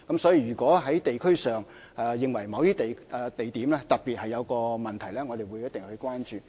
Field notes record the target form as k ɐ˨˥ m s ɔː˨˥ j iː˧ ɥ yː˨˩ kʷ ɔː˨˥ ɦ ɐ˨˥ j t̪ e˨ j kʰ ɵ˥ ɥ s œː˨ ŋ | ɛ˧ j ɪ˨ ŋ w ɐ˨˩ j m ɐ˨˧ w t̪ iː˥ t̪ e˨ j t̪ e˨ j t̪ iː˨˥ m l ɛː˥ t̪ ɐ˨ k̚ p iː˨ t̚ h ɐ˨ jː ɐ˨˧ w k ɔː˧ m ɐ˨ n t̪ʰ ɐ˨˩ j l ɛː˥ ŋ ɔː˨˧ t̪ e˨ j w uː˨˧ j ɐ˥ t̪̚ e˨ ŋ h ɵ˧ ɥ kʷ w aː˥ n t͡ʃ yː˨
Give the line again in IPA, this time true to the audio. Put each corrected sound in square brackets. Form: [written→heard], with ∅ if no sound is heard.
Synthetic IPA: k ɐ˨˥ m s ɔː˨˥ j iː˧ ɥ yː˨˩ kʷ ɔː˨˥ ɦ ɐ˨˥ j t̪ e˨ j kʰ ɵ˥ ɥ s œː˨ ŋ | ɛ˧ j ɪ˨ ŋ w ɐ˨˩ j m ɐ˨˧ w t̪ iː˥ t̪ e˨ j t̪ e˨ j t̪ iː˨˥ m l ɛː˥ t̪ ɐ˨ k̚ p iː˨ t̚ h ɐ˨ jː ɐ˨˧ w k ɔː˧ m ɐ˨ n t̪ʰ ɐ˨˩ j l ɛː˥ ŋ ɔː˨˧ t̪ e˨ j w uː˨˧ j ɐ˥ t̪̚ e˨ ŋ h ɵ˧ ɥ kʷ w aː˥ n t͡ʃ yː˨